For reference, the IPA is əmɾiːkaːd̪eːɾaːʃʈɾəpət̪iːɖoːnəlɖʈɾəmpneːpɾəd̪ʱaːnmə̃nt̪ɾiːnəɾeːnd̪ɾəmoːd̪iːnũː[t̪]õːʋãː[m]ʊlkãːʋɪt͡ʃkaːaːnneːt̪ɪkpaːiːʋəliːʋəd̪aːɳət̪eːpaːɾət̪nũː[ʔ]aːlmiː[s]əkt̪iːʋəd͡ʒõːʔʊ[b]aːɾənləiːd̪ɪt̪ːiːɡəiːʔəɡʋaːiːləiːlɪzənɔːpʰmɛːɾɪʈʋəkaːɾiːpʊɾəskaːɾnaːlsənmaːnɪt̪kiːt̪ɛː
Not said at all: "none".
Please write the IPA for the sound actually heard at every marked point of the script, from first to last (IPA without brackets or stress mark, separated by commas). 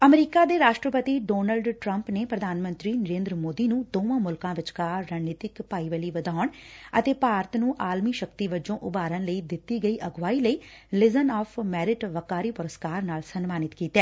d̪, m, ʔ, ʃ, b